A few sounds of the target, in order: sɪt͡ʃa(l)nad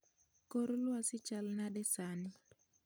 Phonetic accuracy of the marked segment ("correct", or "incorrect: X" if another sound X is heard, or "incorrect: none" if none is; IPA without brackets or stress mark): correct